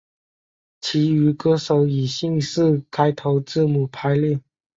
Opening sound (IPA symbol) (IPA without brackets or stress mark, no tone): t͡ɕʰ